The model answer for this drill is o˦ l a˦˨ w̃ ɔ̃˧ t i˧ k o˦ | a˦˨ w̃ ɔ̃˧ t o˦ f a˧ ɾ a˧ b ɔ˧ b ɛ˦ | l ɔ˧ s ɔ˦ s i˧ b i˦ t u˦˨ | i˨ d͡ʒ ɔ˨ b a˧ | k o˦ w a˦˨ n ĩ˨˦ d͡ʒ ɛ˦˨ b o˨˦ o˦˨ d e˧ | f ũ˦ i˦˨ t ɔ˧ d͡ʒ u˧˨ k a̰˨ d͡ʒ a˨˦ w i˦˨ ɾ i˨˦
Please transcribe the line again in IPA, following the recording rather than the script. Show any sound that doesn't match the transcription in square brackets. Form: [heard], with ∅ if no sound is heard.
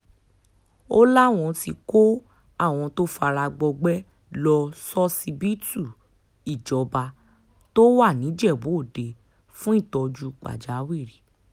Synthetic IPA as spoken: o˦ l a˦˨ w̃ ɔ̃˧ t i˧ k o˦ | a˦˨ w̃ ɔ̃˧ t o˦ f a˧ ɾ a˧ [ɡ͡b] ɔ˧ [ɡ͡b] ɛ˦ | l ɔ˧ s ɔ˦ s i˧ b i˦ t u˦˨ | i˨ d͡ʒ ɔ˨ b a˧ | [t] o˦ w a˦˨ n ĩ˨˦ d͡ʒ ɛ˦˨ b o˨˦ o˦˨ d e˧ | f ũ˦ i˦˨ t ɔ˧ d͡ʒ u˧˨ [k͡p] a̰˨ d͡ʒ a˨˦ w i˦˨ ɾ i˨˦